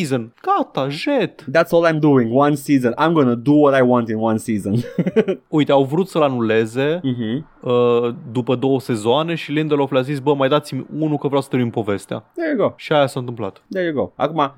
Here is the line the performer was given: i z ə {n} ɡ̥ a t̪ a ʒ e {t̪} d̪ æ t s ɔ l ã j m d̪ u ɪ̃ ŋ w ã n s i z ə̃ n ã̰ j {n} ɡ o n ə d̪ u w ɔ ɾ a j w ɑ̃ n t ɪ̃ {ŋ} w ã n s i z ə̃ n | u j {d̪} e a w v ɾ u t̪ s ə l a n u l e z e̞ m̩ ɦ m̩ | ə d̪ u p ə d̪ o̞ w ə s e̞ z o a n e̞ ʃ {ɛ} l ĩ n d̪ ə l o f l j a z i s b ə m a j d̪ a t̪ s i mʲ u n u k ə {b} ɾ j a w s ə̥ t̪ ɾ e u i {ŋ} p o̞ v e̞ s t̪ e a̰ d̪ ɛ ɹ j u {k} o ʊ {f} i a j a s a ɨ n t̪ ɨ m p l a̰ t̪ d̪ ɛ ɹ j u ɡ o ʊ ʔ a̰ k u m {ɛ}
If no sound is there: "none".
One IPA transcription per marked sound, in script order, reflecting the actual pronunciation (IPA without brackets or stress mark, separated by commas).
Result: n, t̪, m, n, t̪, i, v, m, ɡ, ʃ, a